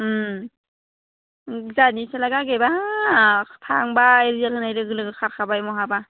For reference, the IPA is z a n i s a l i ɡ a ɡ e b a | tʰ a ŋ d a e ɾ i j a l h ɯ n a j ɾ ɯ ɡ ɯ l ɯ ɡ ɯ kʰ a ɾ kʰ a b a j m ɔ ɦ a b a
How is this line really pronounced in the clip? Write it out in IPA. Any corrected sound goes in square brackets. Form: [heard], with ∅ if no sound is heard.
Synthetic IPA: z a n i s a l [a] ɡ a ɡ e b a | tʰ a ŋ [b] a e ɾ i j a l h ɯ n a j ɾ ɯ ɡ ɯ l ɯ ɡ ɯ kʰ a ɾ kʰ a b a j m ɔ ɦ a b a